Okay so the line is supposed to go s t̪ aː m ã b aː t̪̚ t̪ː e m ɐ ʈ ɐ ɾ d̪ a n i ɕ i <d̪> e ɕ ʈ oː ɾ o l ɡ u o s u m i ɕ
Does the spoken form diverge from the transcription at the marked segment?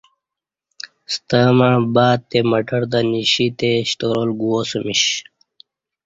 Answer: yes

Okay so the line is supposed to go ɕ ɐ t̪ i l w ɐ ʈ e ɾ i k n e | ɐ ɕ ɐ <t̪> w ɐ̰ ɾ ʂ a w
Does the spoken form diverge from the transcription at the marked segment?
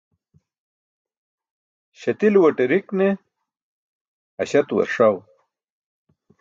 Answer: no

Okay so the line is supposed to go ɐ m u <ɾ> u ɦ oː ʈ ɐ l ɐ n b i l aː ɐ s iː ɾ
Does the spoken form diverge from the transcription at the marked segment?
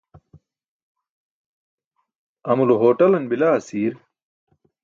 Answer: yes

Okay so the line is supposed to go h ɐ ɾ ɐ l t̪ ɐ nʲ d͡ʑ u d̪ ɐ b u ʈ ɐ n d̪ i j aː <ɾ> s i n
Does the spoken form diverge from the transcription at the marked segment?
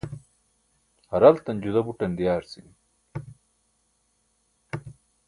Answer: no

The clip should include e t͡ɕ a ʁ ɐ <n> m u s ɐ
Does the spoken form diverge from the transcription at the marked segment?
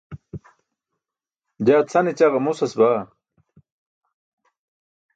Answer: yes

